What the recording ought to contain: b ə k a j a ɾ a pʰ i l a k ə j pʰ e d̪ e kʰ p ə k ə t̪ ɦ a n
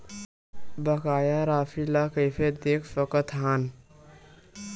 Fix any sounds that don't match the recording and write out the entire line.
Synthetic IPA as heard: b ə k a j a ɾ a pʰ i l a k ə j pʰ e d̪ e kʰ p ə k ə t̪ ɦ a n